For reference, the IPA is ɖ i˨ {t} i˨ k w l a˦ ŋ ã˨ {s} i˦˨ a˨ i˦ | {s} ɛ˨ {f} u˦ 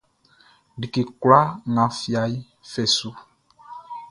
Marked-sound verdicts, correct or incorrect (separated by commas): incorrect, incorrect, incorrect, incorrect